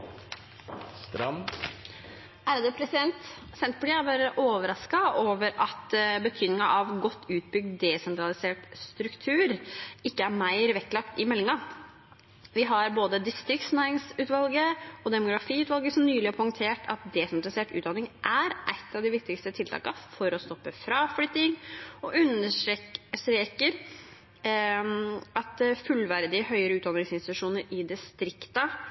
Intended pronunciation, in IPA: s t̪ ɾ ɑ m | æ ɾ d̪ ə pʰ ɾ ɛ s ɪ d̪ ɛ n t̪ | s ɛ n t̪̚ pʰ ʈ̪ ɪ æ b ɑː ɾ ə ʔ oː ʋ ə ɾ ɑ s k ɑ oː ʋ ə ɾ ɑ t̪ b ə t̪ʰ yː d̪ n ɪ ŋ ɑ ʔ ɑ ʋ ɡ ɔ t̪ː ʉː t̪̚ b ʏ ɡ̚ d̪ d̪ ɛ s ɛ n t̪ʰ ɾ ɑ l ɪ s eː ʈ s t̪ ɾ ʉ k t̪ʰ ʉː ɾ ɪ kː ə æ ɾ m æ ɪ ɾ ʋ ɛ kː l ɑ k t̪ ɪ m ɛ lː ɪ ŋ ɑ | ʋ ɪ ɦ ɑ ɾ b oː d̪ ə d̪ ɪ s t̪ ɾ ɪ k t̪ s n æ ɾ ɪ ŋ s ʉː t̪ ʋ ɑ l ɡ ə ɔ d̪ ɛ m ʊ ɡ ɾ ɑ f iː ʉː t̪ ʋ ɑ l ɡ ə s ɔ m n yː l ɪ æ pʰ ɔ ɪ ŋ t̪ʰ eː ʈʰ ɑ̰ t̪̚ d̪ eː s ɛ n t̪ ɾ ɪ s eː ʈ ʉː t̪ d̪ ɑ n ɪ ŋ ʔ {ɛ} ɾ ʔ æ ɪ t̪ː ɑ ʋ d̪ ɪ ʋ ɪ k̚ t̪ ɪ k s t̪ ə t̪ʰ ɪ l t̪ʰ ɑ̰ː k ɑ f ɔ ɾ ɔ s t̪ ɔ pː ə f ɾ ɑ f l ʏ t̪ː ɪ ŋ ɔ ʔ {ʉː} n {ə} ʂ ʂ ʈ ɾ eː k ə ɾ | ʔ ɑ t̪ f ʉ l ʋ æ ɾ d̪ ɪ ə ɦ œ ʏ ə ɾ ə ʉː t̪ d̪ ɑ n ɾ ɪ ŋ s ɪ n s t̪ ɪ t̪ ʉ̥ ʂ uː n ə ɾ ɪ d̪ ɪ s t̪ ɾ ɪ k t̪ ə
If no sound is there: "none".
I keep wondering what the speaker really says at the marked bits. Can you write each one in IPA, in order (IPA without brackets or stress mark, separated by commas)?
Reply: æ, ʉ, ə